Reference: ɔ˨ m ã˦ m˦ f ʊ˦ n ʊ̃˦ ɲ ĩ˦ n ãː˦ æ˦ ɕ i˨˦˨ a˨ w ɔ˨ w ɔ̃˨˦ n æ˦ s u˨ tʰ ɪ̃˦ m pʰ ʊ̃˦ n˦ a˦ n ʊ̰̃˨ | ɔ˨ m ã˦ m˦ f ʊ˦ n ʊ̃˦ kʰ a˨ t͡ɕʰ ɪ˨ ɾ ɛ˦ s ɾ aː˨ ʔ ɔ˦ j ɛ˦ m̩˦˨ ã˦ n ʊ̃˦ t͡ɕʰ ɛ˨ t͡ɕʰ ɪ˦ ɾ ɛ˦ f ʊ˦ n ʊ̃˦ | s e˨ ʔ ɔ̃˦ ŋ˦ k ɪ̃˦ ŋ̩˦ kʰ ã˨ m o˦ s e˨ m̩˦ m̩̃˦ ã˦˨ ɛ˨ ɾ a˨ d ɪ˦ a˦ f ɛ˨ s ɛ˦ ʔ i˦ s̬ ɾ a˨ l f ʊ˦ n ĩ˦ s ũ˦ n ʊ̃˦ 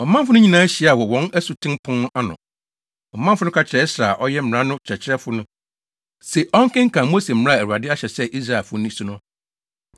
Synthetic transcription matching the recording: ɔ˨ m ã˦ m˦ f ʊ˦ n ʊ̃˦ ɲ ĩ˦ n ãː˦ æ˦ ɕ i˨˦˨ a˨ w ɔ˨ w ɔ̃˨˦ n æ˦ s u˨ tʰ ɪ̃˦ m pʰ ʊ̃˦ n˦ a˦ n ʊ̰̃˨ | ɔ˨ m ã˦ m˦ f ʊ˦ n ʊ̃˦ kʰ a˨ t͡ɕʰ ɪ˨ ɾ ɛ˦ s ɾ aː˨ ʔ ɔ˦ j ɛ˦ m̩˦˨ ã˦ n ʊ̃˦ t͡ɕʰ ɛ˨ t͡ɕʰ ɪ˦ ɾ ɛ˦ f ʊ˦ n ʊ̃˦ | s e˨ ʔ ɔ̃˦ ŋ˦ k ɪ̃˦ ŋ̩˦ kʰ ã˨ m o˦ s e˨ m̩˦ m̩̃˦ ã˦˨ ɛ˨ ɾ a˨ d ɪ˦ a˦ ɕ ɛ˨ s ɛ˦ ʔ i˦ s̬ ɾ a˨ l f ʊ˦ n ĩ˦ s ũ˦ n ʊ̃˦